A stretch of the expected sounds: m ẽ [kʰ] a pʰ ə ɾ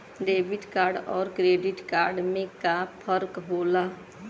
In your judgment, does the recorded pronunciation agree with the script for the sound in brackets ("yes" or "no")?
no